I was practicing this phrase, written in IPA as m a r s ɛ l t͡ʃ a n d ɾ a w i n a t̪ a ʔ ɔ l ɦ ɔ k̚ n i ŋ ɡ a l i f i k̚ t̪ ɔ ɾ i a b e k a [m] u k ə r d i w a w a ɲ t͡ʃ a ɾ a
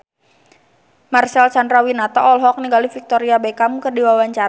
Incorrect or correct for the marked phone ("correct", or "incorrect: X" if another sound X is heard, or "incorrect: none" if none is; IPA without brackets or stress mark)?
correct